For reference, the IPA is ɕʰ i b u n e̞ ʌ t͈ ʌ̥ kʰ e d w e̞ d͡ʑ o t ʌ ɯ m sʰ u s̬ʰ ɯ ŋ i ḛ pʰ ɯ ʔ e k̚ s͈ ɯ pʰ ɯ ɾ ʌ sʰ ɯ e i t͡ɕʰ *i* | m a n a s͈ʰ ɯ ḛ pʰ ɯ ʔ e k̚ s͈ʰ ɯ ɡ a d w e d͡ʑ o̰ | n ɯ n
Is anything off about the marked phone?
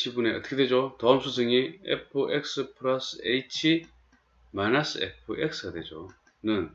no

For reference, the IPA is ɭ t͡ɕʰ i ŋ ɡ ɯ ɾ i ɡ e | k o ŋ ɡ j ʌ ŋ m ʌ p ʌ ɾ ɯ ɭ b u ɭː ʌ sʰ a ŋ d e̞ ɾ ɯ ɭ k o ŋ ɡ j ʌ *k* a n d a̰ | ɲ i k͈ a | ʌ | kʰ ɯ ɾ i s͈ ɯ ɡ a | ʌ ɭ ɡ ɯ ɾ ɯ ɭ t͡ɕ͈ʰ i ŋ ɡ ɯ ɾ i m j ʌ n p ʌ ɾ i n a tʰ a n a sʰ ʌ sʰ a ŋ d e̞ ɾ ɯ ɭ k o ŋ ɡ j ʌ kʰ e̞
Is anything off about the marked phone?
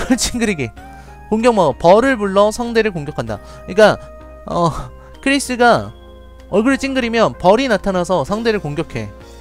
yes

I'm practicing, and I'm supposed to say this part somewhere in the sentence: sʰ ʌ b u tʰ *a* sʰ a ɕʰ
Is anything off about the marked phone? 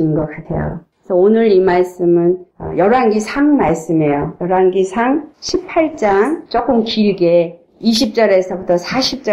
yes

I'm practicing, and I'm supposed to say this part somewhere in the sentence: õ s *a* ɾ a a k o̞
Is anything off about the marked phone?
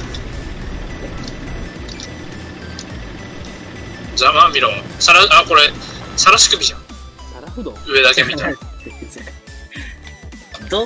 no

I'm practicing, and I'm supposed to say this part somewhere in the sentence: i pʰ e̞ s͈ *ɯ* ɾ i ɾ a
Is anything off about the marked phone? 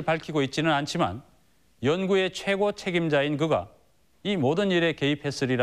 no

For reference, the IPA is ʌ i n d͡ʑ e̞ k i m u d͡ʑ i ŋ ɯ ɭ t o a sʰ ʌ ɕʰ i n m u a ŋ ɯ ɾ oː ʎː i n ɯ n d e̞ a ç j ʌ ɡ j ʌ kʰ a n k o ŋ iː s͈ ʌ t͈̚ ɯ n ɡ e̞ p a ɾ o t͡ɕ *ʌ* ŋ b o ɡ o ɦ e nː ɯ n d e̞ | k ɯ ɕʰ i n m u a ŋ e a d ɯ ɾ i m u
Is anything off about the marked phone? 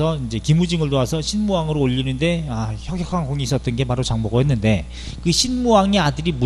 yes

